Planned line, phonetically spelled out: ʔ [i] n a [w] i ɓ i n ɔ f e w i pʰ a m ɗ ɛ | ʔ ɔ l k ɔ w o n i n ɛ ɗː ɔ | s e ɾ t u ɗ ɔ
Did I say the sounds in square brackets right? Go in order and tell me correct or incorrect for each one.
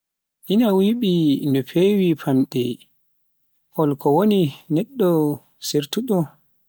correct, correct

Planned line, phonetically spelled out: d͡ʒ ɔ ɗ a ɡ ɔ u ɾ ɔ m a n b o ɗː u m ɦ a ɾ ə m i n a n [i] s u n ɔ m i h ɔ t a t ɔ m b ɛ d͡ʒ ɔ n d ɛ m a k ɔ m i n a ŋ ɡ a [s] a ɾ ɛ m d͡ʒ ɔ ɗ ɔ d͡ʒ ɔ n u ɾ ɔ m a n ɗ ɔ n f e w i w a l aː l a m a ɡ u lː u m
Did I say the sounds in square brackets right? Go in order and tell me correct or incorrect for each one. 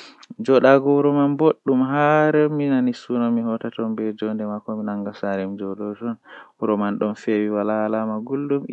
correct, correct

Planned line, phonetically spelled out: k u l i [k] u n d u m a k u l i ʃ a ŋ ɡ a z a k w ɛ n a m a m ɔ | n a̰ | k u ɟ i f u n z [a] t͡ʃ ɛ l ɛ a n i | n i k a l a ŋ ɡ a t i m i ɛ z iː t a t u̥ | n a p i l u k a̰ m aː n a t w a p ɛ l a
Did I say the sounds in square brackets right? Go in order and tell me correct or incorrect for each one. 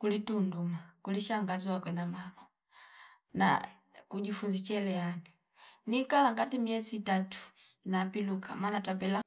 incorrect: t, incorrect: i

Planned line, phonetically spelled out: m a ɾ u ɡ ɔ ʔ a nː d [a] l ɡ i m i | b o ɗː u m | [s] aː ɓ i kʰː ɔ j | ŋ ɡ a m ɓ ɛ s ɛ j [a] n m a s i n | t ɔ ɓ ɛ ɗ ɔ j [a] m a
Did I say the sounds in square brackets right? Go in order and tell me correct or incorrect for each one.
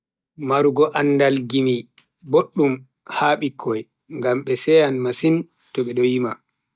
correct, incorrect: h, correct, incorrect: i

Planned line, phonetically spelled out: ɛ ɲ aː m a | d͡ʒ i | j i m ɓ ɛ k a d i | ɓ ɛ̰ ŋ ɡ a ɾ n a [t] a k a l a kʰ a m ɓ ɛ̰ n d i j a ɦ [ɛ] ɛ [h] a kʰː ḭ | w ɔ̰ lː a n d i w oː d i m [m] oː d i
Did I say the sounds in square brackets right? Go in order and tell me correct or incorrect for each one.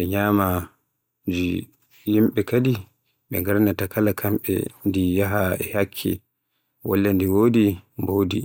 correct, incorrect: a, correct, incorrect: b

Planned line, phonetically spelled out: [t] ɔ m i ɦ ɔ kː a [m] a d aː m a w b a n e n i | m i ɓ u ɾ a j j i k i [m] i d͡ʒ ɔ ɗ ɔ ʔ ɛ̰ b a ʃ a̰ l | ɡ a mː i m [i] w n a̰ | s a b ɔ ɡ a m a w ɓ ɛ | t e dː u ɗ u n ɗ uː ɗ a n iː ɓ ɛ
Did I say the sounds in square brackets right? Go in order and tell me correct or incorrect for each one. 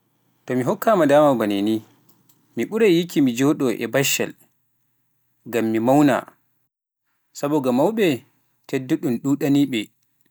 correct, correct, correct, incorrect: a

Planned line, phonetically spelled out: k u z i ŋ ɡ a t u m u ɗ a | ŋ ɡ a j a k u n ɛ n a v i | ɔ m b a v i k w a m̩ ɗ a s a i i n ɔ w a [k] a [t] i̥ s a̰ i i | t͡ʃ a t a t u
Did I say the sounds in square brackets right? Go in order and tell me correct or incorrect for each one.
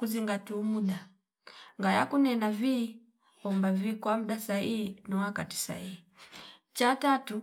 correct, correct

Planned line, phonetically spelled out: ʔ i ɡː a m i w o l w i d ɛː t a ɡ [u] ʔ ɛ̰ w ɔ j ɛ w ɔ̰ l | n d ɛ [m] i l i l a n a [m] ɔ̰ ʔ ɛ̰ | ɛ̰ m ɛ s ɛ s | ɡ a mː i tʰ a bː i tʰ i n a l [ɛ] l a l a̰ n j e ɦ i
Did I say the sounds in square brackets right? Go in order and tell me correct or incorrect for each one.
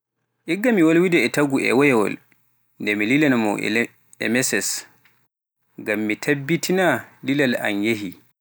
correct, correct, correct, incorrect: i

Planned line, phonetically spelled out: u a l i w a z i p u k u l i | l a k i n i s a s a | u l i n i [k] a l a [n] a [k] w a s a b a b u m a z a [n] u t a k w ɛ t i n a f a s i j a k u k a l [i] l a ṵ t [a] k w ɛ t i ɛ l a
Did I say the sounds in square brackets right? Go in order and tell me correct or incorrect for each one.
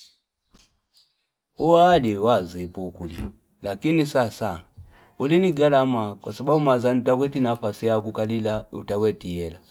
incorrect: ɡ, incorrect: m, correct, correct, correct, correct

